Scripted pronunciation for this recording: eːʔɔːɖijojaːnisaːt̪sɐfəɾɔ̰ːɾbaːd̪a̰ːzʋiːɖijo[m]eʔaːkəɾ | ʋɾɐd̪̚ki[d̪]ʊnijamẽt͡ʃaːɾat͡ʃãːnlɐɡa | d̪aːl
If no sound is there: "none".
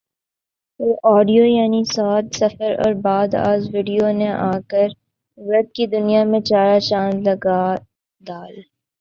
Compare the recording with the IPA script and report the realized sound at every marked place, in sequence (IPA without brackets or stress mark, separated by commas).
n, d̪